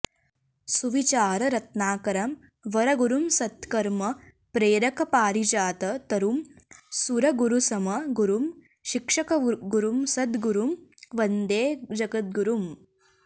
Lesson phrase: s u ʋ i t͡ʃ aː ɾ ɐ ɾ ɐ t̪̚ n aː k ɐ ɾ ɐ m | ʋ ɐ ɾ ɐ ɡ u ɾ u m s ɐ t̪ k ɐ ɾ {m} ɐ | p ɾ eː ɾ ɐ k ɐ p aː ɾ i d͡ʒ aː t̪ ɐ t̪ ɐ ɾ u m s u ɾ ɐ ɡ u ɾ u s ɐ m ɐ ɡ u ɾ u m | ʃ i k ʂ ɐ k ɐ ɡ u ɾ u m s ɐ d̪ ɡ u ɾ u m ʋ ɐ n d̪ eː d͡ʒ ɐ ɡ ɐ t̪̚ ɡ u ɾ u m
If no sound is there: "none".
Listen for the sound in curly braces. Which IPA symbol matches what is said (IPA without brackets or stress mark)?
m